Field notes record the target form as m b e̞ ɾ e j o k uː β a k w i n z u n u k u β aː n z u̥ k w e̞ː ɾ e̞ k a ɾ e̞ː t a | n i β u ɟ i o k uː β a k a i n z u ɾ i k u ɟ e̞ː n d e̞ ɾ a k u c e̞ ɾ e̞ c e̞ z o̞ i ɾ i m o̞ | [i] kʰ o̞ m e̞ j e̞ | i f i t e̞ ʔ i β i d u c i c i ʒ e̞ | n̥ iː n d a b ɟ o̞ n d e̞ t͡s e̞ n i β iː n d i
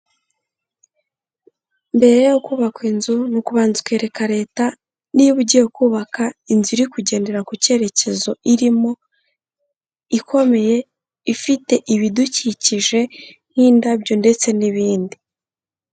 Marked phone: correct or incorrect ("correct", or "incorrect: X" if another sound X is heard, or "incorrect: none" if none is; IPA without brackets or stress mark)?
correct